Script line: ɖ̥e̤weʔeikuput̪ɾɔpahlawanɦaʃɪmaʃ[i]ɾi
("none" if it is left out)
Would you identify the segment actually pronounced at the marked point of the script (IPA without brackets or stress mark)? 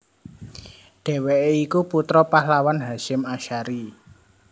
a